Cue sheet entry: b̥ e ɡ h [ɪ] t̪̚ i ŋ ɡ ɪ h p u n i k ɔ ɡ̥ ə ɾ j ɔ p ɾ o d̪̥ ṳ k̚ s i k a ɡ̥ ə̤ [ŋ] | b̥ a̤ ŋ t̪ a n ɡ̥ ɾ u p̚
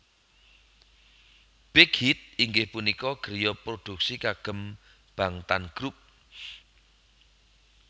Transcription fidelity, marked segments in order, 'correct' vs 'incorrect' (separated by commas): incorrect, incorrect